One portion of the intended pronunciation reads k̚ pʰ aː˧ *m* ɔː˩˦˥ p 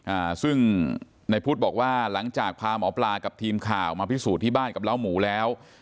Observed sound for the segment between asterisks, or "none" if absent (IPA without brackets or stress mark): m